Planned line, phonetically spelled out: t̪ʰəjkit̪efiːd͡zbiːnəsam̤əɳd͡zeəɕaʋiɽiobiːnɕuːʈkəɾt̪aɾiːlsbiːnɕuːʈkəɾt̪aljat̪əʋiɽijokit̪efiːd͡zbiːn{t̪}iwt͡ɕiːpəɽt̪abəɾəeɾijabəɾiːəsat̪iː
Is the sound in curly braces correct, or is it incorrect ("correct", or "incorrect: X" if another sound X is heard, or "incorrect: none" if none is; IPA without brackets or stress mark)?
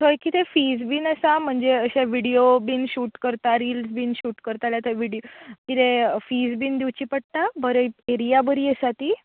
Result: incorrect: d̪